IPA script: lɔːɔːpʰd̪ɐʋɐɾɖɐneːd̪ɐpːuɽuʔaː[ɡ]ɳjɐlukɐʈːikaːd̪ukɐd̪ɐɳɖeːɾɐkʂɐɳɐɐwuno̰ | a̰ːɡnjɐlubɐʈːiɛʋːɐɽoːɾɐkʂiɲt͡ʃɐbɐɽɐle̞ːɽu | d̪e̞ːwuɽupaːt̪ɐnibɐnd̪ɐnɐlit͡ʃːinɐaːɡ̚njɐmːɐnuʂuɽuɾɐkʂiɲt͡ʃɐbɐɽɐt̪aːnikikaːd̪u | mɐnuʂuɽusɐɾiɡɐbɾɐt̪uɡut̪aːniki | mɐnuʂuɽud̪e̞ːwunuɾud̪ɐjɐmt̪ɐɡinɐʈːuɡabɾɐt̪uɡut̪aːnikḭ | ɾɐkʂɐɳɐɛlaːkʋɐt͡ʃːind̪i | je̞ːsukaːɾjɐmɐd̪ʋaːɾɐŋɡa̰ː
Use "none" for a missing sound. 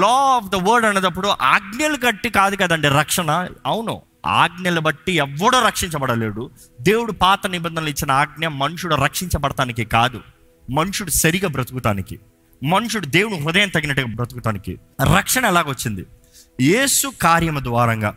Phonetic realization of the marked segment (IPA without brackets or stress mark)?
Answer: ɡ